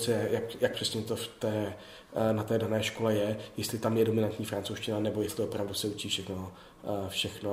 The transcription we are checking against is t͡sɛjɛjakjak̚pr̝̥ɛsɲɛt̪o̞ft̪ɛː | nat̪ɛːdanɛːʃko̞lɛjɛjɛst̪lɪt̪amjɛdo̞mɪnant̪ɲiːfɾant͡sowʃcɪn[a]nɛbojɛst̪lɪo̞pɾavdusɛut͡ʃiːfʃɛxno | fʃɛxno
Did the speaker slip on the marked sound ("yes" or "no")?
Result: no